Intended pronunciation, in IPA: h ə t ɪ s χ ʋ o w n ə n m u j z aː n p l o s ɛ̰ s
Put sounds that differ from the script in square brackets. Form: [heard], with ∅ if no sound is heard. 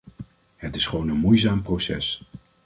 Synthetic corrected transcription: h ə t ɪ s χ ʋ o w n ə n m u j z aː [m] p [r] o s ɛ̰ s